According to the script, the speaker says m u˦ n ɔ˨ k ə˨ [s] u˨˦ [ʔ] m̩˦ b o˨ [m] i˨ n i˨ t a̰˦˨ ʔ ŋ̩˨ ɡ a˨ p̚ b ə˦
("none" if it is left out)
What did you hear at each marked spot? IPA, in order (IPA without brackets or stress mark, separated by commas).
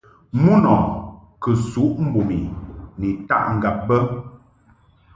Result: s, ʔ, m